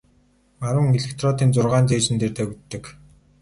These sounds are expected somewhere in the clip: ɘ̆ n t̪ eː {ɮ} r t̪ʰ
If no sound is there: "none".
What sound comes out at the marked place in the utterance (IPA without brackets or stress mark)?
none